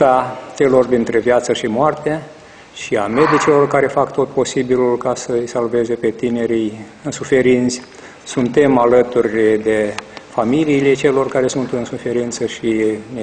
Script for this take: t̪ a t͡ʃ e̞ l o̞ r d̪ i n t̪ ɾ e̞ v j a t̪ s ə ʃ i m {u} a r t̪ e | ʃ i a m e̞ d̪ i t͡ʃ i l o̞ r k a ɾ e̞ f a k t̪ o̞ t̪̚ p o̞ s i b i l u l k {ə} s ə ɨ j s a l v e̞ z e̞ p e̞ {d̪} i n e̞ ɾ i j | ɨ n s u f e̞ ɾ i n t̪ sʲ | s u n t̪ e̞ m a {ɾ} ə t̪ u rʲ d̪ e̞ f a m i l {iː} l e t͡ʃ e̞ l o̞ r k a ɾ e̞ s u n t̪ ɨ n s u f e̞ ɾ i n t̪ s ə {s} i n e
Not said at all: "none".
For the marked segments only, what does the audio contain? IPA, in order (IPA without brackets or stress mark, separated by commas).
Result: o, a, t̪, l, iː, ʃ